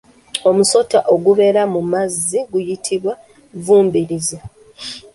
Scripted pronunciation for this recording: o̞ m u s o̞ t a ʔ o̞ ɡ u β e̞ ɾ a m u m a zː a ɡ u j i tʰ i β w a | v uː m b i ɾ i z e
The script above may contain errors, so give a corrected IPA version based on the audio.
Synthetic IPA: o̞ m u s o̞ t a ʔ o̞ ɡ u β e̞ ɾ a m u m a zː i ɡ u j i tʰ i β w a | v uː m b i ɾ i z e